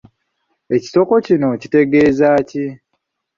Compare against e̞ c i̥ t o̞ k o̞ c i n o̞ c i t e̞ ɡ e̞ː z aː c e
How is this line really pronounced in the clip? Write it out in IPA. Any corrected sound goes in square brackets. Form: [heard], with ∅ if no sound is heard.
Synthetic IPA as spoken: e̞ c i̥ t o̞ k o̞ c i n o̞ c i t e̞ ɡ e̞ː z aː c [i]